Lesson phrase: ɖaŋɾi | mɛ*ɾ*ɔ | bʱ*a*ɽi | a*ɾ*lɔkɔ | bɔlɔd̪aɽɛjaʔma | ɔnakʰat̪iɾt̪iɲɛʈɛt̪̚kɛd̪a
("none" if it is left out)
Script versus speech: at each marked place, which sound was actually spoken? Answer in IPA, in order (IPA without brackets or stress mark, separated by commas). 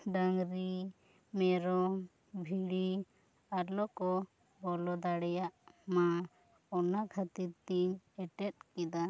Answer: ɾ, i, ɾ